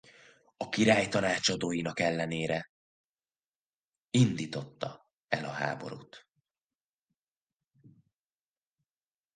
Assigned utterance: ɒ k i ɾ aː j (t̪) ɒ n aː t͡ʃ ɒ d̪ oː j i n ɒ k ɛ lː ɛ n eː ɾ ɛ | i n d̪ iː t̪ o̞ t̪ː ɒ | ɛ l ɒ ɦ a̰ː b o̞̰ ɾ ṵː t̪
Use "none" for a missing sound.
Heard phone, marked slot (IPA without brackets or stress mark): t̪